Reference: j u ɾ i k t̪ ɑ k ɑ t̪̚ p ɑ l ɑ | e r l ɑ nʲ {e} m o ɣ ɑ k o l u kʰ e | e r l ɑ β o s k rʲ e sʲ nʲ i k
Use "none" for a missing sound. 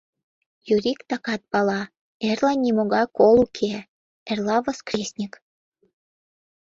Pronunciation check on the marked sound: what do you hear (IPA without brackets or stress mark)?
i